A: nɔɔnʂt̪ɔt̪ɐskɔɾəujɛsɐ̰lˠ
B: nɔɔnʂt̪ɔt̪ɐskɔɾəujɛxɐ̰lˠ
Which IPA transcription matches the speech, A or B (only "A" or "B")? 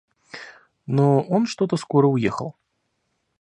B